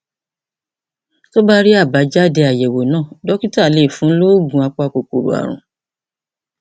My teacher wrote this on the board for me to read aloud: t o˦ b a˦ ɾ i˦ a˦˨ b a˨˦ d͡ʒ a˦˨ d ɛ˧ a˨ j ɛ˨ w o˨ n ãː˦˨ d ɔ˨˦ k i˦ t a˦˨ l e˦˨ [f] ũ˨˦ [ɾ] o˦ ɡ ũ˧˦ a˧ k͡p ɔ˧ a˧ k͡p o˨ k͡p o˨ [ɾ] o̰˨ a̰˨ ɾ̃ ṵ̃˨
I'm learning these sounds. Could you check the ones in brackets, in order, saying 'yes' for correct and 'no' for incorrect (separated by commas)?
yes, no, yes